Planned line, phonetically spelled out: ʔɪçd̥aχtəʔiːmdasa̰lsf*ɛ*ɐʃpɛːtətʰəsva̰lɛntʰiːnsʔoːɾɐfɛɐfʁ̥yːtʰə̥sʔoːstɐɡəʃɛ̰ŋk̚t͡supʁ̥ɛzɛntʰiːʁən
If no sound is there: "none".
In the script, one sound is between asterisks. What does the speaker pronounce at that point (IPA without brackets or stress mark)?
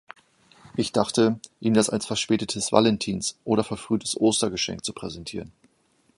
ɛ